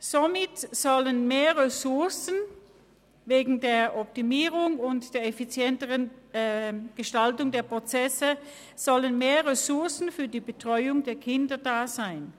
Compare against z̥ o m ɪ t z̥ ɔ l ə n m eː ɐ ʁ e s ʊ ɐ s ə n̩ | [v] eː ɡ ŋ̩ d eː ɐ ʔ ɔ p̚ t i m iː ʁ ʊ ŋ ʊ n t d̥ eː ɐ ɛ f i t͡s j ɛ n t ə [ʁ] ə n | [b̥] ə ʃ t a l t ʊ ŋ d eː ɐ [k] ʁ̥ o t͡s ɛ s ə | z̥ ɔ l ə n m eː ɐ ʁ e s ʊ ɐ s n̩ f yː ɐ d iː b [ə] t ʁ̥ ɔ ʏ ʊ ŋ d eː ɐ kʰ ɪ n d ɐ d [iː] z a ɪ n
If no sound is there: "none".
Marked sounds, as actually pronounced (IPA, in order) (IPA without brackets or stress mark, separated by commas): v, ʁ, ɡ̥, p, ə, aː